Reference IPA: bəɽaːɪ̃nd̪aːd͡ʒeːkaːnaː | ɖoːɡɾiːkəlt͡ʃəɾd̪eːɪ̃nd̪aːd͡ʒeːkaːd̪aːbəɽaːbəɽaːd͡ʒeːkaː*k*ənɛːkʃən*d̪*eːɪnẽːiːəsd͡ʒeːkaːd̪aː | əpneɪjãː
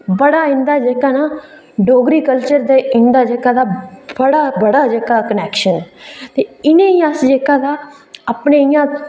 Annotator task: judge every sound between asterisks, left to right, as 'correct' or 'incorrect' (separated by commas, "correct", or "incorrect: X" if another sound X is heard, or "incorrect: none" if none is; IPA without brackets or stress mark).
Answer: correct, incorrect: t̪